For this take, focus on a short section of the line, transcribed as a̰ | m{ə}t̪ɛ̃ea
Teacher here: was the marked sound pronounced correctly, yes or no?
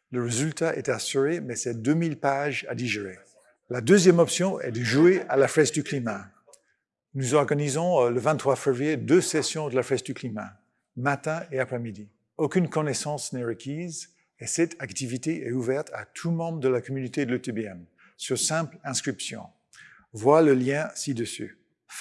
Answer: no